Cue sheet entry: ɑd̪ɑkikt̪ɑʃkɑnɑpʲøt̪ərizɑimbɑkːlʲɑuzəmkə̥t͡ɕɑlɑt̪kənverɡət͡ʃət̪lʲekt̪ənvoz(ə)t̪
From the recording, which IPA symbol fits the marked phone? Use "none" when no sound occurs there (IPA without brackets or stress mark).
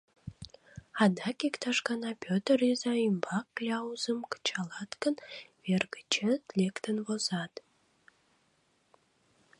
ɑ